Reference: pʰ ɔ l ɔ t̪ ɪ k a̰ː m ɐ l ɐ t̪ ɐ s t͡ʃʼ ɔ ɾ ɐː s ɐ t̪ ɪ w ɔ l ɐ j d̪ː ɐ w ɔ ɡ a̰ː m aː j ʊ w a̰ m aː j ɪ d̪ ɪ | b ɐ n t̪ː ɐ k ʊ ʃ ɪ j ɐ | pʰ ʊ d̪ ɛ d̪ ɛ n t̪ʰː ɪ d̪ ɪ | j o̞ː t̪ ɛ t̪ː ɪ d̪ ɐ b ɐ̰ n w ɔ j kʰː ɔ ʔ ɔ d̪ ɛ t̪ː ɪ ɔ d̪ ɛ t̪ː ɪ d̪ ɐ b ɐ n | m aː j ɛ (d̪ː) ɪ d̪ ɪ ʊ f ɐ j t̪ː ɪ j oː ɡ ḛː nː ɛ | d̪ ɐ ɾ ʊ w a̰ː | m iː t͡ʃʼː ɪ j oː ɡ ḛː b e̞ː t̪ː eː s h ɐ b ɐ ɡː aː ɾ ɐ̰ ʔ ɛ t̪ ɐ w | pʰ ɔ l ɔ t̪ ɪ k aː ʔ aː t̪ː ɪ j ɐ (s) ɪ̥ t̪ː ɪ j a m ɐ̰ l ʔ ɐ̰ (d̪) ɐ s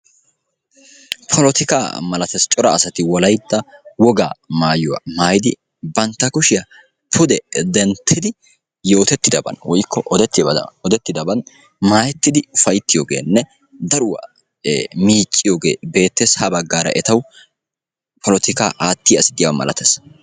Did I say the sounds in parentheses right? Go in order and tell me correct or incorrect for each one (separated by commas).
incorrect, correct, incorrect